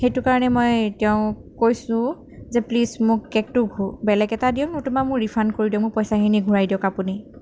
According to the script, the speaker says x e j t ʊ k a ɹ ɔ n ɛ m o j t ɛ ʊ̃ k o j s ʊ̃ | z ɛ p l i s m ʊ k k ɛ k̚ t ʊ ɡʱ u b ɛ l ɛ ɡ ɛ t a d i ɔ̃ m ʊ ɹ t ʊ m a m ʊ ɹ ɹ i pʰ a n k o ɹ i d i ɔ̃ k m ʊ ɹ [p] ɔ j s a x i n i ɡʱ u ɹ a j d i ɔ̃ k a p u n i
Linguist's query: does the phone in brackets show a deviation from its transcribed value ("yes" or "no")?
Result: no